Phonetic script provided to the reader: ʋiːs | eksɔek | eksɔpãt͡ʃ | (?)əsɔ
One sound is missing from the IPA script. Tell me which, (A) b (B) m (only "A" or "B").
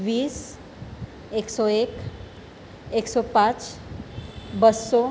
A